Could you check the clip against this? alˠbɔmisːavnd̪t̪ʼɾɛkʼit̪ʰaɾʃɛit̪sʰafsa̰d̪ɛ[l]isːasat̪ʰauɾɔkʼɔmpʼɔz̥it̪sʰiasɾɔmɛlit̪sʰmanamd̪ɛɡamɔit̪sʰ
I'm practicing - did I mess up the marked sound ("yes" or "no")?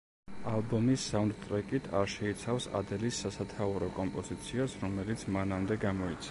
no